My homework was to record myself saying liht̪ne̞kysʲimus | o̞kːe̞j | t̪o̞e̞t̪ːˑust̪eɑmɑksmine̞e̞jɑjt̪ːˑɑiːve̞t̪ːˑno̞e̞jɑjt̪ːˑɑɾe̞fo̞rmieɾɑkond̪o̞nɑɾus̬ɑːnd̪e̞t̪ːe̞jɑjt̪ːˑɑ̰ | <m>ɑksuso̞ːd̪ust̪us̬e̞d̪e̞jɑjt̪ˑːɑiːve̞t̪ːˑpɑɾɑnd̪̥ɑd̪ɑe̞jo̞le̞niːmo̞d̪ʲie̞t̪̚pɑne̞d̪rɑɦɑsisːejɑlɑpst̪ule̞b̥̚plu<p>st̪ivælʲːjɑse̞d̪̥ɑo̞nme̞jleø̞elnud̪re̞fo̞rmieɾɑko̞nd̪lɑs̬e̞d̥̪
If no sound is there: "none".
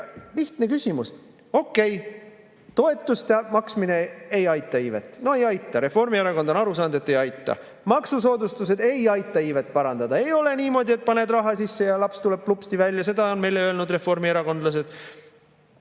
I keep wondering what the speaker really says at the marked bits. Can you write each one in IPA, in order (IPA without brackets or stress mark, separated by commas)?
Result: m, p